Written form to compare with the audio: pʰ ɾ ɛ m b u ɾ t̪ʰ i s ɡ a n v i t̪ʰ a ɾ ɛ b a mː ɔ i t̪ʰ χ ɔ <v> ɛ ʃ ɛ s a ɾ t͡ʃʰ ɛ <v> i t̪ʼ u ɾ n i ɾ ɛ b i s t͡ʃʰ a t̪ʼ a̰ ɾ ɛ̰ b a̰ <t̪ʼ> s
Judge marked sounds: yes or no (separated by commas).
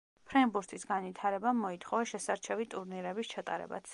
yes, yes, no